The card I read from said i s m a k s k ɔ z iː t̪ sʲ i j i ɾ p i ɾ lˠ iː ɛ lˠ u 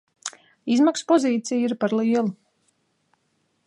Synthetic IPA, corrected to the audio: i z m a k s p ɔ z iː t̪ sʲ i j i ɾ p a ɾ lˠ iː ɛ lˠ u